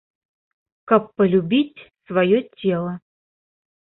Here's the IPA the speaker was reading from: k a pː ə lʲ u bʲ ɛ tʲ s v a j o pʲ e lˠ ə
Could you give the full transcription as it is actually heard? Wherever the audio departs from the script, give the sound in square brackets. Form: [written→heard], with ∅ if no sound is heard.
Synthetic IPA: k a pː ə lʲ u bʲ [ɛ→i] tʲ s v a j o [pʲ→tʲ] e lˠ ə